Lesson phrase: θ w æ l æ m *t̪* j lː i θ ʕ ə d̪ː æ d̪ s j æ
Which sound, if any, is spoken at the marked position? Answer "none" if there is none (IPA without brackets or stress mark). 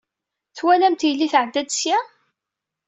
t̪